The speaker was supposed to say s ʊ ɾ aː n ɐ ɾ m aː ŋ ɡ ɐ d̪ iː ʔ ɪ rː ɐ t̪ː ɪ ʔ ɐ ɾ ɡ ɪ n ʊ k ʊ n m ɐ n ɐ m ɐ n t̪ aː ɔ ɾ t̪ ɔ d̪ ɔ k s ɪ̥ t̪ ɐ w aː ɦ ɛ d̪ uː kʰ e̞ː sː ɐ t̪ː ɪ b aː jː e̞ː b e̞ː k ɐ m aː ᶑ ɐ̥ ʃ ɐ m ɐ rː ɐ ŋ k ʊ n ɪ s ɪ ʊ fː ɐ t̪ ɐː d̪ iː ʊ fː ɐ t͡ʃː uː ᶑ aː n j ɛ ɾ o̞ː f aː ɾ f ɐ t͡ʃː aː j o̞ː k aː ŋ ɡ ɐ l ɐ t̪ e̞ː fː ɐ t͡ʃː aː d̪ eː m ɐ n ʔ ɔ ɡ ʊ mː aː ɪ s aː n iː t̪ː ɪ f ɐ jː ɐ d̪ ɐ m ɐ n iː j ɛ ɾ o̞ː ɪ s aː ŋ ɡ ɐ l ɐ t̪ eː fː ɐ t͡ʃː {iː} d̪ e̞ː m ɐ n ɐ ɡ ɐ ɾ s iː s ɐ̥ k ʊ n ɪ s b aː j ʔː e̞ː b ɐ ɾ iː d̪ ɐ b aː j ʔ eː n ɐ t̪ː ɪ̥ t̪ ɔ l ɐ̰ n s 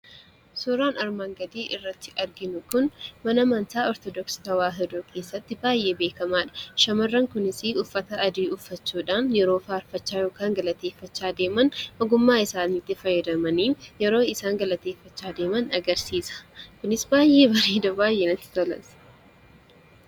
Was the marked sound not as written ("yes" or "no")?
yes